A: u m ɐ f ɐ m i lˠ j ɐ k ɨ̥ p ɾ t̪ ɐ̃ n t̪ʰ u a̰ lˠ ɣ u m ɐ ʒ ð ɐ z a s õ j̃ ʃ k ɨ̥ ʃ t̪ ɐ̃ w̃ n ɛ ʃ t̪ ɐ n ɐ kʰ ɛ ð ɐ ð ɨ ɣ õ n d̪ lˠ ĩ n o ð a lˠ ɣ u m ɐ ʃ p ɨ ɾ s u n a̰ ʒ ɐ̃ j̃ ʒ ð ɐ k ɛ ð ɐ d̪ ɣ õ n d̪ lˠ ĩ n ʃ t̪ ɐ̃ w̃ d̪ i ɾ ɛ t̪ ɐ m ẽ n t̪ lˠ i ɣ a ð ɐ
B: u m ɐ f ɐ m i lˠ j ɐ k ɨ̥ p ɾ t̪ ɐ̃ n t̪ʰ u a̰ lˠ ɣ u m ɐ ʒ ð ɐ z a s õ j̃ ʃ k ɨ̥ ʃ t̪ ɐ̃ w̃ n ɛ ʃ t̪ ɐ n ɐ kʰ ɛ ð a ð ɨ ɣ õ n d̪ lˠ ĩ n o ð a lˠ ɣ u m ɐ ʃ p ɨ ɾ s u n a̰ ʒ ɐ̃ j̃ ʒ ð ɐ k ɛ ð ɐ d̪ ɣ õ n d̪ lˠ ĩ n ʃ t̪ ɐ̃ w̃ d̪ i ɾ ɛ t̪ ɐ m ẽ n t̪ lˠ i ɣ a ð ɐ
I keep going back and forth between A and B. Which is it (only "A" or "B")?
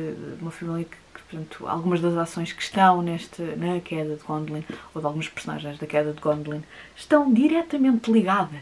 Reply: A